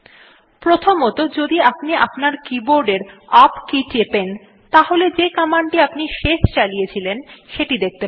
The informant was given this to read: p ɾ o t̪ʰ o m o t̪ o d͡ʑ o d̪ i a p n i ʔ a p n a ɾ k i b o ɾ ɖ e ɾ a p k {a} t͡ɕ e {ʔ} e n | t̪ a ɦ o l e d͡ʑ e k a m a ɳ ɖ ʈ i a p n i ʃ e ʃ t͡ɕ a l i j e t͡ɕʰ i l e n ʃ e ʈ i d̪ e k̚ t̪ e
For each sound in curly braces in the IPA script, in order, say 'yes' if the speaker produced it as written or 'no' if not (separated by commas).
no, no